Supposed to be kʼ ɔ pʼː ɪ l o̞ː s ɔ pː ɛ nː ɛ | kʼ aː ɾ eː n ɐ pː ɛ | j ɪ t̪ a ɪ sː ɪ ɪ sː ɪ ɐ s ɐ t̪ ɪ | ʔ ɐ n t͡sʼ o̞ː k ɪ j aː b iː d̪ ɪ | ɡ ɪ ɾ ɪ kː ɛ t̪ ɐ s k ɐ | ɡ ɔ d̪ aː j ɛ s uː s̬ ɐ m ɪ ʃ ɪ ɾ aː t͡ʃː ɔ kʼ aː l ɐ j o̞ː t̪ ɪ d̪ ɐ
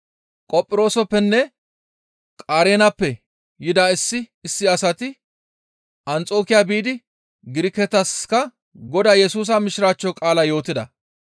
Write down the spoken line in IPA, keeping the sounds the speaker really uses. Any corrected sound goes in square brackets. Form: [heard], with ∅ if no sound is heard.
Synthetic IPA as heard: kʼ ɔ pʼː ɪ [ɾ] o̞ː s ɔ pː ɛ nː ɛ | kʼ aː ɾ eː n ɐ pː ɛ | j ɪ [d̪] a ɪ sː ɪ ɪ sː ɪ ɐ s ɐ t̪ ɪ | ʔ ɐ n t͡sʼ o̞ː k ɪ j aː b iː d̪ ɪ | ɡ ɪ ɾ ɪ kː ɛ t̪ ɐ s k ɐ | ɡ ɔ d̪ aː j ɛ s uː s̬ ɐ m ɪ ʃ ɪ ɾ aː t͡ʃː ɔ kʼ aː l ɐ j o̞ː t̪ ɪ d̪ ɐ